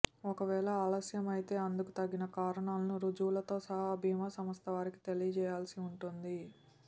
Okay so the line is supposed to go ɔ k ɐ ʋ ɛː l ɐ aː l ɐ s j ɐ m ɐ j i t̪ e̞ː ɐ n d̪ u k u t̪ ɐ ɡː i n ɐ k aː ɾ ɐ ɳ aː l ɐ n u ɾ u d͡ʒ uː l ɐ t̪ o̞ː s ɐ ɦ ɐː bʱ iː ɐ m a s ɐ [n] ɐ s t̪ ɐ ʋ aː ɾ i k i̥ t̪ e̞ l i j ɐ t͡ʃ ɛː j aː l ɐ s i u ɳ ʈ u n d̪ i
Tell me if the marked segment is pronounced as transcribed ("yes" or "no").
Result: no